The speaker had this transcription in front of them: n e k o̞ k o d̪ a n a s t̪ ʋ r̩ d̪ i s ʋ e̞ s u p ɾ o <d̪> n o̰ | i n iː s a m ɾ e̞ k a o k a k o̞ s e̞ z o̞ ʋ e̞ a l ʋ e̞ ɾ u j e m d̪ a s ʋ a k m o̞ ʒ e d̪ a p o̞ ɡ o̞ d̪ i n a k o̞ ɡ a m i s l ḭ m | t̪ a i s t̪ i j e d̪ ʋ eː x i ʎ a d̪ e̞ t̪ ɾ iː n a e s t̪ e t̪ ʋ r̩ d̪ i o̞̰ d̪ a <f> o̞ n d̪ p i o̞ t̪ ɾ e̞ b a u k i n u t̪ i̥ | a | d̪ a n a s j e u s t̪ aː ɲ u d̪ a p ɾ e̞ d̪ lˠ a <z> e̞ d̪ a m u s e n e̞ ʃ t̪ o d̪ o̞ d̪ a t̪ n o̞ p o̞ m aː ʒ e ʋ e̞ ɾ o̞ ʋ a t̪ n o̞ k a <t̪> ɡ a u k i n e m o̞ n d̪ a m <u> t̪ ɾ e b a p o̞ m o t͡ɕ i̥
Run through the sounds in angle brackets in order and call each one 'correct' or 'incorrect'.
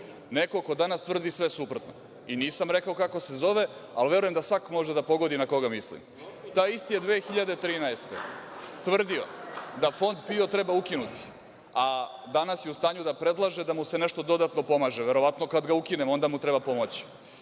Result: incorrect: t̪, correct, incorrect: ʒ, incorrect: d̪, correct

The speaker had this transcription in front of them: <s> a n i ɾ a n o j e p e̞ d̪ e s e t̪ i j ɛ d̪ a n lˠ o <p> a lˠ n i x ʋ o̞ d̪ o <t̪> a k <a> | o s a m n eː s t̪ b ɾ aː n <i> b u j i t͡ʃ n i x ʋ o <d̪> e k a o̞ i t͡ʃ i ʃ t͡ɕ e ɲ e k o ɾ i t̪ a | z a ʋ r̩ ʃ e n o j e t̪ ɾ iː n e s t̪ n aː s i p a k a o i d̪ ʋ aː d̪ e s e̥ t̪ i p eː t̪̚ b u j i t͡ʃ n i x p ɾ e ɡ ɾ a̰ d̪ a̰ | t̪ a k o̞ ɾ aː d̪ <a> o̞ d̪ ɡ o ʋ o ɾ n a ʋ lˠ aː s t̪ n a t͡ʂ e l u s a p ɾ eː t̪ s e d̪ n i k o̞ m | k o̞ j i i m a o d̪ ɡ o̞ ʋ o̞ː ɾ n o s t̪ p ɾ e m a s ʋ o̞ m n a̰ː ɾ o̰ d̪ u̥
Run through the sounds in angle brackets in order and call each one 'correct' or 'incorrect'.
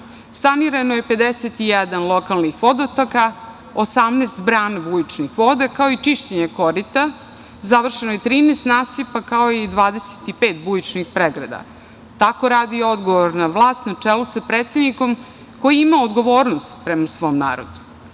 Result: correct, incorrect: k, correct, correct, incorrect: a, correct, incorrect: i

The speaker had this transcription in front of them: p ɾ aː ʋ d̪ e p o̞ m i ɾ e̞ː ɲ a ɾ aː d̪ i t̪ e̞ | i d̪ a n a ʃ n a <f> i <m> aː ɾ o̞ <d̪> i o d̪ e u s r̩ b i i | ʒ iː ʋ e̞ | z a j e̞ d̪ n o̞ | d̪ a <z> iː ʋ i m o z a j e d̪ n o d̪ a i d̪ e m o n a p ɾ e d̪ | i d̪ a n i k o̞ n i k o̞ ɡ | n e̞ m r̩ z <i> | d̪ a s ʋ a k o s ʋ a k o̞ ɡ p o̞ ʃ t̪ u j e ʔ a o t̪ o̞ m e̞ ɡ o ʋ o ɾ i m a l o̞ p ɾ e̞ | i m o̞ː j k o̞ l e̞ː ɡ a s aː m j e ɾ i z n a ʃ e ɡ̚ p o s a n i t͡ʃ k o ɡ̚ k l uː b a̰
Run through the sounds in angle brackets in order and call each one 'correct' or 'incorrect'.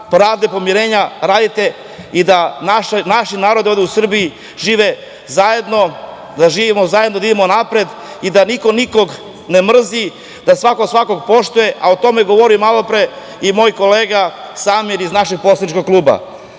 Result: incorrect: ʃ, incorrect: n, correct, incorrect: ʒ, correct

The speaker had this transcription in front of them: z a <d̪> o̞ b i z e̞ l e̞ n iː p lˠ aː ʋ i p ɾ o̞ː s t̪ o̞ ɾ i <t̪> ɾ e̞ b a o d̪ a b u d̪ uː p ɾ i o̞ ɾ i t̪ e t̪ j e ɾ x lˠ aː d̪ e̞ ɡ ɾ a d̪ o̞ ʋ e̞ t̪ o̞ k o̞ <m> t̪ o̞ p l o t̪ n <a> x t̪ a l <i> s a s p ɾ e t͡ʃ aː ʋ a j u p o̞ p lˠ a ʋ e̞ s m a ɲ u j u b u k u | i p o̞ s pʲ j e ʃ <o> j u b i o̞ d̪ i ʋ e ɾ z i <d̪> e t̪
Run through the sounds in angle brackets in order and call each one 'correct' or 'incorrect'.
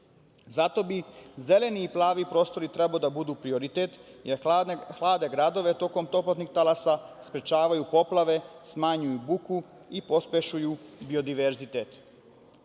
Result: incorrect: t̪, correct, correct, incorrect: i, incorrect: a, incorrect: u, incorrect: t̪

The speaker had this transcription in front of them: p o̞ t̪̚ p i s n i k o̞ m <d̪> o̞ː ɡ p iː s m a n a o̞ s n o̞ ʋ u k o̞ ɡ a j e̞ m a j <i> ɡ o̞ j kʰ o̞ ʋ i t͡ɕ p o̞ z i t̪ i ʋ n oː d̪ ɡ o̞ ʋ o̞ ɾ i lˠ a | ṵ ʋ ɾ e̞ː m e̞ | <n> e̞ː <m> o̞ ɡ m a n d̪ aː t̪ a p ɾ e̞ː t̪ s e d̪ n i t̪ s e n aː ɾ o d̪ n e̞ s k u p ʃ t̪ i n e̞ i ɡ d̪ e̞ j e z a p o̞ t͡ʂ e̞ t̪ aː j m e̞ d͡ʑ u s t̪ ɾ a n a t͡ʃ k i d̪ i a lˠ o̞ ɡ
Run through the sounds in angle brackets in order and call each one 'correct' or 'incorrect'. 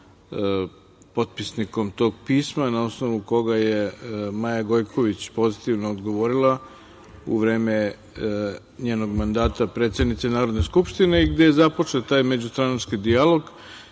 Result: incorrect: t̪, incorrect: a, incorrect: ɲ, incorrect: n

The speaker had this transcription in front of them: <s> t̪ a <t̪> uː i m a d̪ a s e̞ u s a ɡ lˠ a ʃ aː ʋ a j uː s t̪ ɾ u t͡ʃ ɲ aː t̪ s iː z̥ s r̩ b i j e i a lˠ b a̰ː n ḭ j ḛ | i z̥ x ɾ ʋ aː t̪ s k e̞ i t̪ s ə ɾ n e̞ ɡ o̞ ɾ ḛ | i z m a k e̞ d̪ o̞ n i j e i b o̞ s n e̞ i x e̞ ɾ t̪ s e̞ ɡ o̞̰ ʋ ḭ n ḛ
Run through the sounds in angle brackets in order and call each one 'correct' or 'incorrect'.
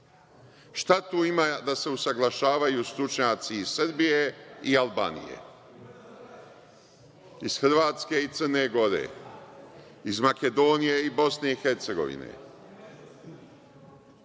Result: incorrect: ʃ, correct

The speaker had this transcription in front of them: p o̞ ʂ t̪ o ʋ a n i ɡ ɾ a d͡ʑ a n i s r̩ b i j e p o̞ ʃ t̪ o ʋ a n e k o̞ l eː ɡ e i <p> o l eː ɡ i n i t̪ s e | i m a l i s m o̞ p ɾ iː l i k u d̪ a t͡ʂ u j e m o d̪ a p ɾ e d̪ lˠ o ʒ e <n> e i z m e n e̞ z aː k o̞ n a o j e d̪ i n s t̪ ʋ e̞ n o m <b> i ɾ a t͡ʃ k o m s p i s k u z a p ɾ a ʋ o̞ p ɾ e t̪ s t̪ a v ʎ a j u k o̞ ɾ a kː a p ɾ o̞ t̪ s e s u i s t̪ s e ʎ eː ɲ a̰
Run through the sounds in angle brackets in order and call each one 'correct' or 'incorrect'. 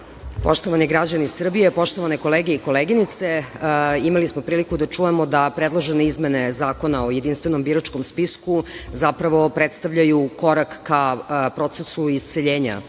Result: incorrect: k, correct, correct

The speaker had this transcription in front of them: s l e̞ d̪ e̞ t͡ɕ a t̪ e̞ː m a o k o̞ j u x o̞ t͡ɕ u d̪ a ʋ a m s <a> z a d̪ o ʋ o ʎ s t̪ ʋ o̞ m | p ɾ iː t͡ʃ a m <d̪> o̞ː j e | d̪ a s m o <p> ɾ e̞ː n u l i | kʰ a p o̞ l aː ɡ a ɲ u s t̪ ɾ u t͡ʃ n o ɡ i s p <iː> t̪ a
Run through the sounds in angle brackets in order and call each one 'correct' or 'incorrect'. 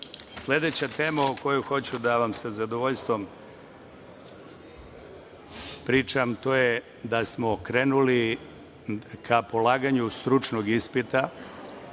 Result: correct, incorrect: t̪, incorrect: k, incorrect: i

